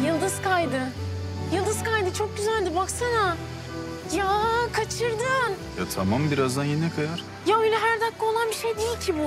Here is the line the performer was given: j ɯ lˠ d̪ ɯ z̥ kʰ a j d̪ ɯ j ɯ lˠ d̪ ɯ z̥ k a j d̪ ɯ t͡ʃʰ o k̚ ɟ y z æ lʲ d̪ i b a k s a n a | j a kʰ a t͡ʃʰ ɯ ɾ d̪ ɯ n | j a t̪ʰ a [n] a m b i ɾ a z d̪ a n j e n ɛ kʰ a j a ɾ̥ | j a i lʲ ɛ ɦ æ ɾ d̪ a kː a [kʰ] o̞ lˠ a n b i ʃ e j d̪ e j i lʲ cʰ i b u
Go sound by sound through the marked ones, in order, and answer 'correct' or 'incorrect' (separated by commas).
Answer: incorrect, incorrect